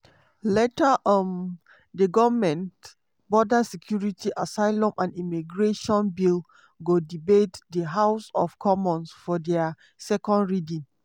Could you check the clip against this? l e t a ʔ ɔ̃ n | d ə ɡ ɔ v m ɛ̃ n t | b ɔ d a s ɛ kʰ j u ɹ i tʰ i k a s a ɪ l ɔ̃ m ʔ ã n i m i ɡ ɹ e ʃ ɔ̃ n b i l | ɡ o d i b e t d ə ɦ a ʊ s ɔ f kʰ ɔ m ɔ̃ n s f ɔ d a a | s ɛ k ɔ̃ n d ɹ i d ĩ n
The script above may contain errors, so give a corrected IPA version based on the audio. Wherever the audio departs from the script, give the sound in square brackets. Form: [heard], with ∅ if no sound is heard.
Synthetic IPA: l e t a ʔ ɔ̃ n | d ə ɡ ɔ v m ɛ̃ n t | b ɔ d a s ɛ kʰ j u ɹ i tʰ i [ʔ] a s a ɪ l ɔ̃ m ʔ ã n i m i ɡ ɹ e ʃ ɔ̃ n b i l | ɡ o d i b e t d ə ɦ a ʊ s ɔ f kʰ ɔ m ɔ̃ n s f ɔ d [ɛ] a | s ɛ k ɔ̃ n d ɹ i d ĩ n